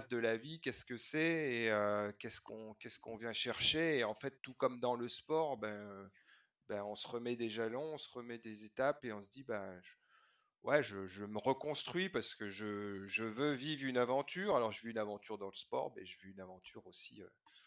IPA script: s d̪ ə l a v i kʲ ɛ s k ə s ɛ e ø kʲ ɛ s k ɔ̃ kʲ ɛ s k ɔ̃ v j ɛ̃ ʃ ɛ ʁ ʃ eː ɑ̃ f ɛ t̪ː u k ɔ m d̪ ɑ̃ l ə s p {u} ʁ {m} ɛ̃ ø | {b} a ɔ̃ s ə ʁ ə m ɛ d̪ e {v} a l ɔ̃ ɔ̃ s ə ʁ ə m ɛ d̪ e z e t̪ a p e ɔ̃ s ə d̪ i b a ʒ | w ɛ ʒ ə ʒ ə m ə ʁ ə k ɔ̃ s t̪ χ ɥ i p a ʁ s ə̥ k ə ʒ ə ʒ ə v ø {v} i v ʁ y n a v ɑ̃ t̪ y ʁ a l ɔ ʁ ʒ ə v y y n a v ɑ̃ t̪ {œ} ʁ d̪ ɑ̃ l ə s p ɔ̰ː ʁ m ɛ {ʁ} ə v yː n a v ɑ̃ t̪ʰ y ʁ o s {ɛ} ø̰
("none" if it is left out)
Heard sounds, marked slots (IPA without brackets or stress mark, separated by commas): ɔ, b, b, ʒ, v, y, ʒ, i